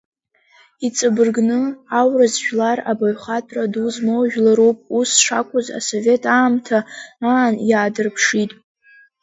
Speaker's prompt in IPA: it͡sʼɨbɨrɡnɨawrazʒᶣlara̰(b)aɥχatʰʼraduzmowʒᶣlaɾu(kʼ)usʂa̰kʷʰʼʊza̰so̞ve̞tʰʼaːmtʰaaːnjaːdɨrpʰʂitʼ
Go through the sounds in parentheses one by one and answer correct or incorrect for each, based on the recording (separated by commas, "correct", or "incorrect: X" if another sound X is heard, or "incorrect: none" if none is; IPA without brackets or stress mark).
correct, incorrect: pʼ